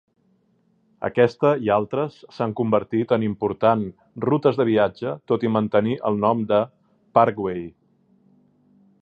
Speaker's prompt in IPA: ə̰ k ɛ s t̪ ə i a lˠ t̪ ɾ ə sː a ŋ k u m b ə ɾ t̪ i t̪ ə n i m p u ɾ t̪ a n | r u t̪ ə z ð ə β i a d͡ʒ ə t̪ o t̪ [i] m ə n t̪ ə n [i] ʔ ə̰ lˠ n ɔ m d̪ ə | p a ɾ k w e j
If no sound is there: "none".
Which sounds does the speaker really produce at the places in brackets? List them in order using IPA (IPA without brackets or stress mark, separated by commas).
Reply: i, i